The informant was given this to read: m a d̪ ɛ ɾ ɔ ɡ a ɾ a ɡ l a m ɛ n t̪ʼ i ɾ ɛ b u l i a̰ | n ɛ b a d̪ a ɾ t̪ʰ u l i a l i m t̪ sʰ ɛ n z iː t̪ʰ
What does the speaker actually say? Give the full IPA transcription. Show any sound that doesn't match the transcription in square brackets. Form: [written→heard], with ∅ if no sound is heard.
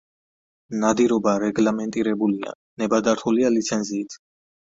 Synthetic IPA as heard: [m→n] a d̪ [ɛ→i] ɾ ɔ [ɡ→b] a ɾ [a→ɛ] ɡ l a m ɛ n t̪ʼ i ɾ ɛ b u l i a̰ | n ɛ b a d̪ a ɾ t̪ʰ u l i a l i [m→∅] t̪ sʰ ɛ n z iː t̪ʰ